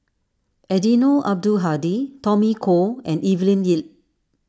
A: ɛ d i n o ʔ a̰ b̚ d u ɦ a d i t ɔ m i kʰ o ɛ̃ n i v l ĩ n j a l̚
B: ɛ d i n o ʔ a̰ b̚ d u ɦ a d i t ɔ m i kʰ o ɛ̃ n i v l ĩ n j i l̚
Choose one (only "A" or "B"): B